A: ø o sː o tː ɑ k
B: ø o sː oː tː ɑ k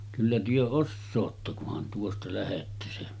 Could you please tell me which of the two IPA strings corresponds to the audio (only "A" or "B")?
B